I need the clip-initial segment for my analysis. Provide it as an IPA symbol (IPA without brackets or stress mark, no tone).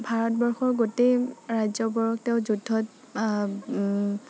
bʱ